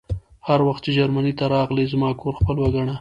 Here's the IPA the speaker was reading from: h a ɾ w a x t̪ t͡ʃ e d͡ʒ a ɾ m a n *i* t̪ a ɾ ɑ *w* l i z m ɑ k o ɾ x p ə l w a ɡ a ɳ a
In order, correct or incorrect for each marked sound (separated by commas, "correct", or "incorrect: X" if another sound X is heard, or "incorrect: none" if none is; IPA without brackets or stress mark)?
correct, incorrect: ɣ